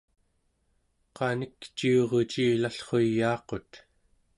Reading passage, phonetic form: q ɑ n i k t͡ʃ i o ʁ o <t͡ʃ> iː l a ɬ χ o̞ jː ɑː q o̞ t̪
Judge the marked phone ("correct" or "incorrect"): correct